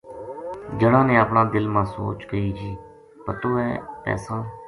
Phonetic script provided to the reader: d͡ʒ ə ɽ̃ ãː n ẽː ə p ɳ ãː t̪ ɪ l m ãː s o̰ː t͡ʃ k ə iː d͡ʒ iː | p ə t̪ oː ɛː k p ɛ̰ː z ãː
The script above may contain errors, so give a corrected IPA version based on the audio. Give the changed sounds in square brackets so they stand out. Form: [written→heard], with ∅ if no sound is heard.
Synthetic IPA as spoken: d͡ʒ ə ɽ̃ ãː n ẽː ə p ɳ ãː [t̪→d̪] ɪ l m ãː s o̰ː t͡ʃ k ə iː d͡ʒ iː | p ə t̪ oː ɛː [k→∅] p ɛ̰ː [z→s] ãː